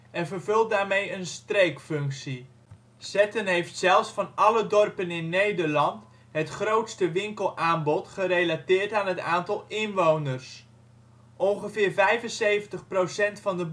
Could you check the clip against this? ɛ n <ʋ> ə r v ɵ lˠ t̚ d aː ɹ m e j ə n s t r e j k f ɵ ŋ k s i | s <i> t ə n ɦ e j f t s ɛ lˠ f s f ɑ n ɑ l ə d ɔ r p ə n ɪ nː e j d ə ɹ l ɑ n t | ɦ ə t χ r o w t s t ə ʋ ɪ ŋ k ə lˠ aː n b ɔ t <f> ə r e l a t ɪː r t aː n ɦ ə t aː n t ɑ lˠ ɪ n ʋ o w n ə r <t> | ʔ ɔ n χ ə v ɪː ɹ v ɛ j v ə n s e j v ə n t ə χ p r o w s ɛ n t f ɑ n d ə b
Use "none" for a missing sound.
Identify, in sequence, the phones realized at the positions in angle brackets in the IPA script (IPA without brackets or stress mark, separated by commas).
v, ɛ, χ, s